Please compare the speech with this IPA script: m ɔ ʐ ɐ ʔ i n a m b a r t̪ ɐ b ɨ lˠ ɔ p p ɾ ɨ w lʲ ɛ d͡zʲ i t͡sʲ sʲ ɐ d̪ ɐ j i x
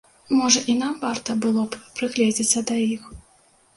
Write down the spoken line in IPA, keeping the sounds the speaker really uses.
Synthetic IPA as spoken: m ɔ ʐ ɐ ʔ i n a m v a r t̪ ɐ b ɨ lˠ ɔ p p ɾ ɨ ɣ lʲ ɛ d͡zʲ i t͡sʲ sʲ ɐ d̪ ɐ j i x